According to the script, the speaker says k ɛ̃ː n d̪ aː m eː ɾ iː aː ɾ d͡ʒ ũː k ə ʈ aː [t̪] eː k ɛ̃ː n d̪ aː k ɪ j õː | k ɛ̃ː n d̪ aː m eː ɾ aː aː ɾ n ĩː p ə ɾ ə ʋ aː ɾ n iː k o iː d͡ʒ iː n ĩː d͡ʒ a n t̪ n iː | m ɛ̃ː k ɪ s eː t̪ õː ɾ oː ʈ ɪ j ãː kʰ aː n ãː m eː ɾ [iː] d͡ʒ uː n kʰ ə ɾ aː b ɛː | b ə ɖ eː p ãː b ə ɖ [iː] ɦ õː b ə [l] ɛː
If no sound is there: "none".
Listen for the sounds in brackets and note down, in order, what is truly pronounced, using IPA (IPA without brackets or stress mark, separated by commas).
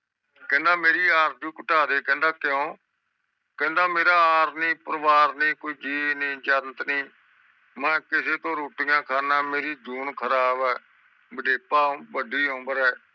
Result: d̪, iː, iː, ɾ